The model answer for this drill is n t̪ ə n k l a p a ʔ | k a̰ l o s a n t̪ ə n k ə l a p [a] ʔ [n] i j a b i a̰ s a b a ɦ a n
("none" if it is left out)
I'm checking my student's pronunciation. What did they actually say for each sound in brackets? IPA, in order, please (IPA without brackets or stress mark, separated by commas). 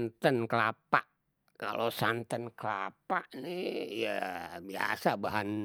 a, n